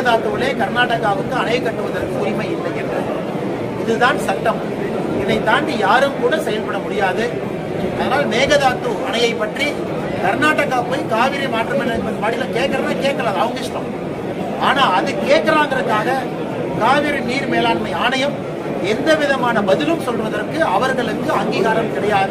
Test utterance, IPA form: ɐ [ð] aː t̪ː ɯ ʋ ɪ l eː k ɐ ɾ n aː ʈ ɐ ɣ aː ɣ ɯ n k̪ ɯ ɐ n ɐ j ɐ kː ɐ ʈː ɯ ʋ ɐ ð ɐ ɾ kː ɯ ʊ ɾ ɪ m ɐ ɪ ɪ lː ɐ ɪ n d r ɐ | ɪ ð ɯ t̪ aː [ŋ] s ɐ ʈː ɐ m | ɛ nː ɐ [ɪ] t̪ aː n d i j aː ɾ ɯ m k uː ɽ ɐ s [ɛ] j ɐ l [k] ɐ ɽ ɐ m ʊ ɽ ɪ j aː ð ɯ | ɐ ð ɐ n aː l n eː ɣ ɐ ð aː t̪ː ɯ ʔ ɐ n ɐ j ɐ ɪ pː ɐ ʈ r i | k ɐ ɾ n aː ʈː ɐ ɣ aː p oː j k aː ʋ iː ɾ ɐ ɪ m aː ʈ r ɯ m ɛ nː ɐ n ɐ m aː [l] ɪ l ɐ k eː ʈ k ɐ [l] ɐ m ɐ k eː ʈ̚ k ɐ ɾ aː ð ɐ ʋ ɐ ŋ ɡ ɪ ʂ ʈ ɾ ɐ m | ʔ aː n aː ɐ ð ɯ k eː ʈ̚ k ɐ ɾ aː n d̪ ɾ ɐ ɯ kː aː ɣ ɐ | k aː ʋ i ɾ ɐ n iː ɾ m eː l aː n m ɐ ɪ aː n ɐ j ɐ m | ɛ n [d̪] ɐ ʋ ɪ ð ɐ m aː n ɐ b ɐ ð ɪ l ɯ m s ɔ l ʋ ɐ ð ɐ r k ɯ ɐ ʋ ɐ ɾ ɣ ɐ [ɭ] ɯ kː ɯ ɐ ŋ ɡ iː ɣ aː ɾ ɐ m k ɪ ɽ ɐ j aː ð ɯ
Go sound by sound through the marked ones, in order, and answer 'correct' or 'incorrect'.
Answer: correct, incorrect: n, correct, correct, incorrect: p, incorrect: ɽ, incorrect: ɾ, correct, correct

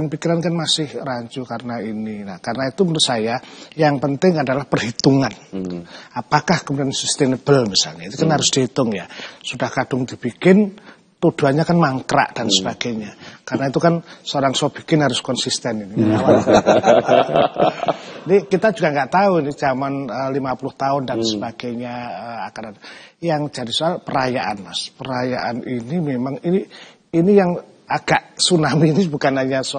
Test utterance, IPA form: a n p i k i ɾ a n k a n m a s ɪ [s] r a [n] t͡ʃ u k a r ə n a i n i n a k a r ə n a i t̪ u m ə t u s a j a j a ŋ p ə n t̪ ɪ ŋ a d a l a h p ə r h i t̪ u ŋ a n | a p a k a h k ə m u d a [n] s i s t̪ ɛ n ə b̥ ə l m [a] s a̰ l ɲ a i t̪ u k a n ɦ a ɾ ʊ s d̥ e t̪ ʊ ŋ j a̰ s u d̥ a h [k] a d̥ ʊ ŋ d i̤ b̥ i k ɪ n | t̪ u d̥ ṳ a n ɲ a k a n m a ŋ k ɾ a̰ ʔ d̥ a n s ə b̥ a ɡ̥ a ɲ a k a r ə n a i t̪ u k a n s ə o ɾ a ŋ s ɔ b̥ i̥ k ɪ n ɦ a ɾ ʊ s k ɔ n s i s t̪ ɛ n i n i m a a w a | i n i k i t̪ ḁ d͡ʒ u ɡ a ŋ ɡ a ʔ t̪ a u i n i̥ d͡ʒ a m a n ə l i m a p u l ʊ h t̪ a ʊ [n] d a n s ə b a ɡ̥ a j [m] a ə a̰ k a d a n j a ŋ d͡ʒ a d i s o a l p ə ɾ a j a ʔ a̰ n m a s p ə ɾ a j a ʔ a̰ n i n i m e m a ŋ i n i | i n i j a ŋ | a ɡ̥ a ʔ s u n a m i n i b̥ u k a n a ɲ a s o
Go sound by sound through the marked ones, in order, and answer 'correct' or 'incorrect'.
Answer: incorrect: h, incorrect: ɲ, correct, incorrect: i, correct, correct, incorrect: ɲ

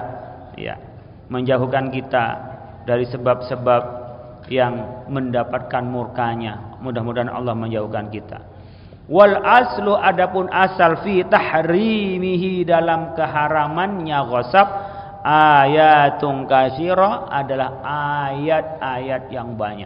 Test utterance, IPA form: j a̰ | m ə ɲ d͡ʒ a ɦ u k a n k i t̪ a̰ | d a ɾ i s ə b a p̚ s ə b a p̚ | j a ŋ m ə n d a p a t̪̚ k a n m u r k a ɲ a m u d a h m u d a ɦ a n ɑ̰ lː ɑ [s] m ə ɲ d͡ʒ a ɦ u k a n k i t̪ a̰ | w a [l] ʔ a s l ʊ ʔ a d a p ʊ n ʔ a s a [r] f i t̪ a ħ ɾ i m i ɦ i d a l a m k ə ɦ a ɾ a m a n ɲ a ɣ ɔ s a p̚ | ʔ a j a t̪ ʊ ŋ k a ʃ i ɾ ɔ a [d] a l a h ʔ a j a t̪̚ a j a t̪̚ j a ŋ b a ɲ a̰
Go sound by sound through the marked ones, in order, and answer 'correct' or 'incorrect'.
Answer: incorrect: h, correct, incorrect: l, correct

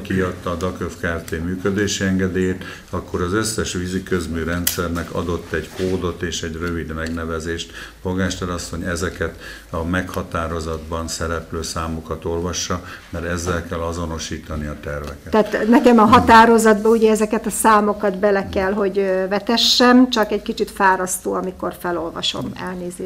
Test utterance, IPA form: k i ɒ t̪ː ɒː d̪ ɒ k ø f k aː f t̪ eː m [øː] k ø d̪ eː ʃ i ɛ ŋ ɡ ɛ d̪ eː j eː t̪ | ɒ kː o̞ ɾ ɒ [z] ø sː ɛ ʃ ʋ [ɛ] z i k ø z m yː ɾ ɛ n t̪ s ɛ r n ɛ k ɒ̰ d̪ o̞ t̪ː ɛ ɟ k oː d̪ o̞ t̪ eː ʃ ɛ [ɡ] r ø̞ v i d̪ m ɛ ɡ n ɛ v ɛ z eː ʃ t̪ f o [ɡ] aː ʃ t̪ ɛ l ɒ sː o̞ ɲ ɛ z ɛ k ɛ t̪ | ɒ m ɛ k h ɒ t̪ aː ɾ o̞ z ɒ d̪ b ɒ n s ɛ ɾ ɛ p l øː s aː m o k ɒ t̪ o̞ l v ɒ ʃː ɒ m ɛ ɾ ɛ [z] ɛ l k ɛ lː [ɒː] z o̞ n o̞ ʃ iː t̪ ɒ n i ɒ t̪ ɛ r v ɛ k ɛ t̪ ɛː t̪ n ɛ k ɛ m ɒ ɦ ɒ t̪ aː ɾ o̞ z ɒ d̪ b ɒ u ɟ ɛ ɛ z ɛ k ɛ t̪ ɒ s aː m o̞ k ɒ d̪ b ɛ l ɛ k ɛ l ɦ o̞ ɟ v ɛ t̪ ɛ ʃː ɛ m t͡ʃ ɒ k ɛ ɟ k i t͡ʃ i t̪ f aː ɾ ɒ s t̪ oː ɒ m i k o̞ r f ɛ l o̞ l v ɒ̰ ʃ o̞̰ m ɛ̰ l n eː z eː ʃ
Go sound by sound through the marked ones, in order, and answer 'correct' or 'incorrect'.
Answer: incorrect: yː, correct, incorrect: i, incorrect: ɟ, correct, incorrect: zː, incorrect: ɒ

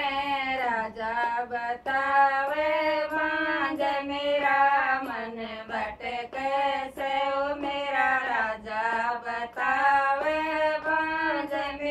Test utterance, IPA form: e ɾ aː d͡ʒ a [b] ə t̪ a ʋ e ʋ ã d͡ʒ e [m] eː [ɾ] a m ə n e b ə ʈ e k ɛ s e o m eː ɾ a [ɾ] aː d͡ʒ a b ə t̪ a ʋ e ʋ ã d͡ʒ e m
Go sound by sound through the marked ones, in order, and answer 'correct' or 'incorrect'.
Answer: correct, correct, correct, correct

